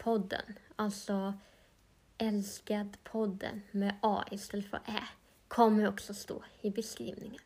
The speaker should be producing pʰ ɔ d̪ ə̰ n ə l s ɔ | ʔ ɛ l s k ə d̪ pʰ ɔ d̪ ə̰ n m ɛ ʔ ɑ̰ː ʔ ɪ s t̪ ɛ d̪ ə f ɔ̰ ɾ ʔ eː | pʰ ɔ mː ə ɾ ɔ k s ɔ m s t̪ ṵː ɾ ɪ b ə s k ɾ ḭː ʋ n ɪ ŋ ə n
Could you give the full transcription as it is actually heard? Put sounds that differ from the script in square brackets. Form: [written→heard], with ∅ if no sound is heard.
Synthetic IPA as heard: pʰ ɔ d̪ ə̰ n [ə→ɑ] l s ɔ | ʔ ɛ l s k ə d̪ pʰ ɔ d̪ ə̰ n m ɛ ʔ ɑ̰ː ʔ ɪ s t̪ ɛ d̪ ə f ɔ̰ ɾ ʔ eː | [pʰ→kʰ] ɔ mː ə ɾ ɔ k s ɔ [m→∅] s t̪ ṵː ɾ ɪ b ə s k ɾ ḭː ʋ n ɪ ŋ ə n